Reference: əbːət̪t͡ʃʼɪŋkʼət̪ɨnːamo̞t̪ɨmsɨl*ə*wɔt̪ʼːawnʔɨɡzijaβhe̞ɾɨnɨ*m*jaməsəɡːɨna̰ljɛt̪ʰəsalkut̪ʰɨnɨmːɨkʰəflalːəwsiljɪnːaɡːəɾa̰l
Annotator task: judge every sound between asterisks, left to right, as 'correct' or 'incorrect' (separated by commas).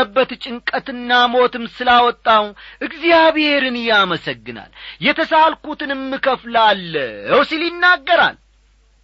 incorrect, incorrect